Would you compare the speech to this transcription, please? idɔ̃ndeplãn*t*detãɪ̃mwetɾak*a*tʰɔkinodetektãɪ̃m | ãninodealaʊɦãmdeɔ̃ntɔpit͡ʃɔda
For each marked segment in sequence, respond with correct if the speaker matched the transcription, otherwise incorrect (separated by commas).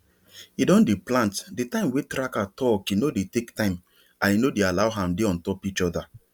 correct, correct